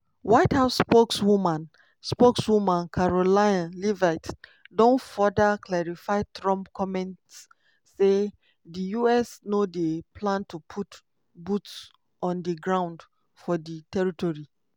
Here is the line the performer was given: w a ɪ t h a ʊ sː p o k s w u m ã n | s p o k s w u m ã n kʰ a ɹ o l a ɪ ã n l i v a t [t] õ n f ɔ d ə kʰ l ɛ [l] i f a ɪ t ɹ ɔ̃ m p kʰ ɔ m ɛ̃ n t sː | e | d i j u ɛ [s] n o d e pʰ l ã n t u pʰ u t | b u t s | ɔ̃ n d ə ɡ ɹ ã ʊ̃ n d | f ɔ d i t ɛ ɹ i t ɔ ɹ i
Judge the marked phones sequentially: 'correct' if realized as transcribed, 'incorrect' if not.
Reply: incorrect: d, incorrect: ɹ, correct

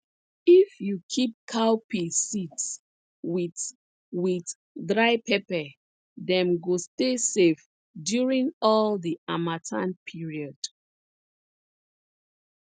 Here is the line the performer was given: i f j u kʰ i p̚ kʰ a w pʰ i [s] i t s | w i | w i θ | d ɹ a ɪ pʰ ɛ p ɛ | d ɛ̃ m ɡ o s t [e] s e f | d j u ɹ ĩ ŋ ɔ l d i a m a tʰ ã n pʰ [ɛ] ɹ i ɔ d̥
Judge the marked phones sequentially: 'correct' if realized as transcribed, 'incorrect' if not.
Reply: correct, correct, incorrect: i

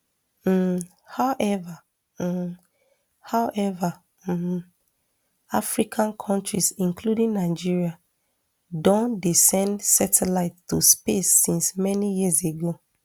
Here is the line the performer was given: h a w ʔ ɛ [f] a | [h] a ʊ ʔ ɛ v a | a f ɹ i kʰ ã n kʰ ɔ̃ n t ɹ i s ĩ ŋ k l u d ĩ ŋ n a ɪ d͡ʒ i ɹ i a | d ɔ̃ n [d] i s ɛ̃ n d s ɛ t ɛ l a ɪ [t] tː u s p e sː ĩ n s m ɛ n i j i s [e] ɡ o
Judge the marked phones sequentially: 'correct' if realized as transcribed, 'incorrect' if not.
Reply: incorrect: v, correct, correct, correct, correct

